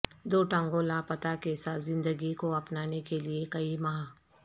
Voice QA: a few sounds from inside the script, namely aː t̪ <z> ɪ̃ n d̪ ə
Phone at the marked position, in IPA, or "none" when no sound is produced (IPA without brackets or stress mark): z